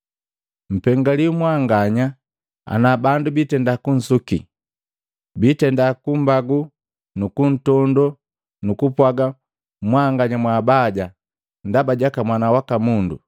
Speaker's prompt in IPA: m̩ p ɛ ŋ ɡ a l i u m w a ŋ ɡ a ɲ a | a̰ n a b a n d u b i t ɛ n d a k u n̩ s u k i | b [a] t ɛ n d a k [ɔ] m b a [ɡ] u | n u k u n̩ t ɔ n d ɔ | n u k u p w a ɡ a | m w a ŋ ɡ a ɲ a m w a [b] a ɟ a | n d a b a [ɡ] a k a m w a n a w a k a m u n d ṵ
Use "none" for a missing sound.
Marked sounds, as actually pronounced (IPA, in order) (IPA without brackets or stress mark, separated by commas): i, u, ɡ, b, ɟ